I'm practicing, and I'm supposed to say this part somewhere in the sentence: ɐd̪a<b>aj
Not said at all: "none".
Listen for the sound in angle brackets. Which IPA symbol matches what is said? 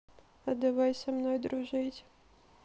v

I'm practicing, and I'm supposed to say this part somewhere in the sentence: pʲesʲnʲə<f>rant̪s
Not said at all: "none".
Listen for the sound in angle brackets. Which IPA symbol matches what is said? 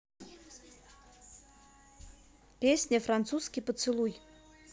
f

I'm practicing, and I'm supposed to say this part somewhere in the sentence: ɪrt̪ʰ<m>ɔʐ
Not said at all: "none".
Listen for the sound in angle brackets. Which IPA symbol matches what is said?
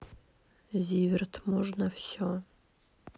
m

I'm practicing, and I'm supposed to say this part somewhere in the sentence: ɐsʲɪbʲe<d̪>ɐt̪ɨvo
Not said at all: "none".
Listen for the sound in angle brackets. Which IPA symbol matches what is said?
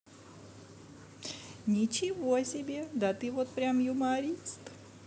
d̪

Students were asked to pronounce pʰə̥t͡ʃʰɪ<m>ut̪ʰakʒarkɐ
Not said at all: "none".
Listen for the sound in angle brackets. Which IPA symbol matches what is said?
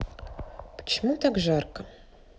m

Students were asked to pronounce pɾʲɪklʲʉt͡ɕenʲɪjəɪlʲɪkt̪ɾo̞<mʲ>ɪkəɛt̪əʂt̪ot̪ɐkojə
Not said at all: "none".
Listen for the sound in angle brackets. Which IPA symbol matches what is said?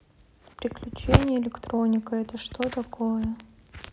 nʲ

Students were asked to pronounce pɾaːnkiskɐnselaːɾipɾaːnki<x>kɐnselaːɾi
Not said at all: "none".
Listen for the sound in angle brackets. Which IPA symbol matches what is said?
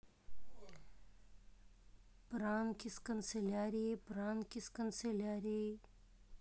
s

